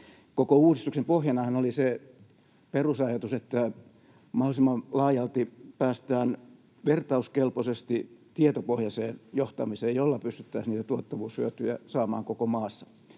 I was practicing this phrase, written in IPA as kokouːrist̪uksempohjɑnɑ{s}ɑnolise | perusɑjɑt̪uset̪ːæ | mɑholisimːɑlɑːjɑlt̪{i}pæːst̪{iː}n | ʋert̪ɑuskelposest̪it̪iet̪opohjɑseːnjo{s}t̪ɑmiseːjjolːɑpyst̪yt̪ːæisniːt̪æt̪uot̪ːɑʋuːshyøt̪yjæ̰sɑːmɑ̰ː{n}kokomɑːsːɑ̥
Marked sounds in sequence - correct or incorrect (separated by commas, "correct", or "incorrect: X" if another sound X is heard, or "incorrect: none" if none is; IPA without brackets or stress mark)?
incorrect: h, correct, incorrect: æː, incorrect: h, incorrect: ŋ